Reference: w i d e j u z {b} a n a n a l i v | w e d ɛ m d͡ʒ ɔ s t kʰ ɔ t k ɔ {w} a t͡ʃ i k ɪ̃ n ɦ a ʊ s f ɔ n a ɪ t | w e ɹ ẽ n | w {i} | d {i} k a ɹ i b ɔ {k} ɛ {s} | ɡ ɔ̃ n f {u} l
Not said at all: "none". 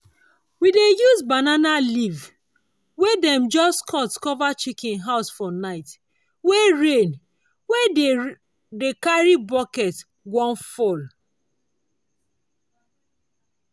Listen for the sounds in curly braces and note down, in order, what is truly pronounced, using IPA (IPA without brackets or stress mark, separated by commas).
b, v, e, e, k, t, ɔ